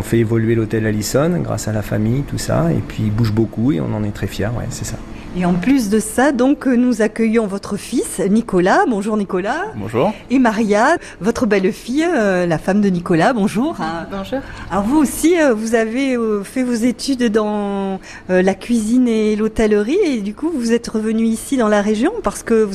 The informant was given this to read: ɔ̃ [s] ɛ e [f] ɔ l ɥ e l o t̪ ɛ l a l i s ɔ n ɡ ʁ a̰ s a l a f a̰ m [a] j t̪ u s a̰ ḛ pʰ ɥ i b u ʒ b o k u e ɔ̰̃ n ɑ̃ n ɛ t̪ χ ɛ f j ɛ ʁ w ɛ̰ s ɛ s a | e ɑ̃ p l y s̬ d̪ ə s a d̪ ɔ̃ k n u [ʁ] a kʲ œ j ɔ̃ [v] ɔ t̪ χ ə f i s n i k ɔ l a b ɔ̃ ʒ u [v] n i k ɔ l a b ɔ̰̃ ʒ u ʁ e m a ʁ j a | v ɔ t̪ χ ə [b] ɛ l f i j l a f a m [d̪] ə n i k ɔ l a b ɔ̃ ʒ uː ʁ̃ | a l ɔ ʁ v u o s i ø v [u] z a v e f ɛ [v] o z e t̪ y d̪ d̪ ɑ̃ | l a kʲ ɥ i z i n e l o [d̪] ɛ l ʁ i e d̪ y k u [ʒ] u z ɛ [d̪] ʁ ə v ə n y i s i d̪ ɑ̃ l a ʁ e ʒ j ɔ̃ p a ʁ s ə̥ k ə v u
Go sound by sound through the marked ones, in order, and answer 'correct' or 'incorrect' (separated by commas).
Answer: incorrect, incorrect, incorrect, incorrect, correct, incorrect, correct, correct, correct, correct, incorrect, incorrect, incorrect